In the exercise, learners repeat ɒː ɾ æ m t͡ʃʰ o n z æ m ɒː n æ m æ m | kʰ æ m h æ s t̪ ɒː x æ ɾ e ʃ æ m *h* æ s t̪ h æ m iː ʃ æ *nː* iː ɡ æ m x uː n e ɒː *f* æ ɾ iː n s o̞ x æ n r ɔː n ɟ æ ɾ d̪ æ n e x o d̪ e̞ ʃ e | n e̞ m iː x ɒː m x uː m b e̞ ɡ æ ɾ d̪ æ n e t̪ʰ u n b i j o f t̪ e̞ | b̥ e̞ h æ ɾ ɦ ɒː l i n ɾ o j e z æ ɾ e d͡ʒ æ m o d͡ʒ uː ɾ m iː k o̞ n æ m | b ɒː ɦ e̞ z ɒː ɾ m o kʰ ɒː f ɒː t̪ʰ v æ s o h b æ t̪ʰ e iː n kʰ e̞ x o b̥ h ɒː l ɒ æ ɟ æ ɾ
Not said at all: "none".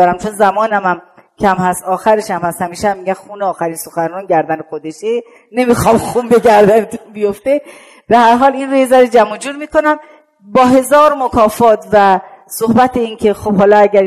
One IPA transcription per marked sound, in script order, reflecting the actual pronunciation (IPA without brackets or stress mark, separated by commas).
h, mː, x